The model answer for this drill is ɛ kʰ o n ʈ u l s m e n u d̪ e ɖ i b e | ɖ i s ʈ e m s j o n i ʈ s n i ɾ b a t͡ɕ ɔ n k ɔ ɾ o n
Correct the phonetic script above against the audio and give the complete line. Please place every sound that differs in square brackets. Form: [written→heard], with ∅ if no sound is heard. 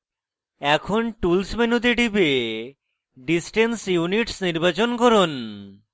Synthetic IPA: ɛ kʰ o n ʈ u l s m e n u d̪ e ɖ i b e | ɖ i s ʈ e [m→n] s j [o→u] n i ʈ s n i ɾ b a t͡ɕ [ɔ→o] n k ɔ ɾ o n

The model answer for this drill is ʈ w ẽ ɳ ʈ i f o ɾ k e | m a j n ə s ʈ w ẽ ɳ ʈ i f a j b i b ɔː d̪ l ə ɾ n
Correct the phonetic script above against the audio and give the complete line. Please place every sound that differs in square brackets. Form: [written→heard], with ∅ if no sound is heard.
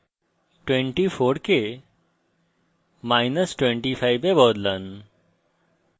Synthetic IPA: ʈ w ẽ ɳ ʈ i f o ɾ k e | m a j n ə s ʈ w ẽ ɳ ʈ i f a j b [i→e] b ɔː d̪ l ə [ɾ→∅] n

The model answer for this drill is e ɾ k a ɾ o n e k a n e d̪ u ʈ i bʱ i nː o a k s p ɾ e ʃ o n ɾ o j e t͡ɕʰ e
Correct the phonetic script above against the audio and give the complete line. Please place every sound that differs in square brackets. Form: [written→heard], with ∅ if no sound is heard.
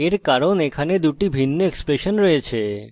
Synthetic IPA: e ɾ k a ɾ o n e [k→kʰ] a n e d̪ u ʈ i bʱ i nː o [a→e] k s p ɾ e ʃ o n ɾ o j e t͡ɕʰ e

